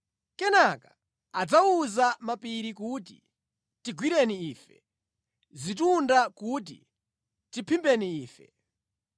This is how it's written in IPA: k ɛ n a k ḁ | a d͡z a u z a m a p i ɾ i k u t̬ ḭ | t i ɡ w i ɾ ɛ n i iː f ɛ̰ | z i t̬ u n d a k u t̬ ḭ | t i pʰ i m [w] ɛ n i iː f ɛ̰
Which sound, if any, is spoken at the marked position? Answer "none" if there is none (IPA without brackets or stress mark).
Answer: b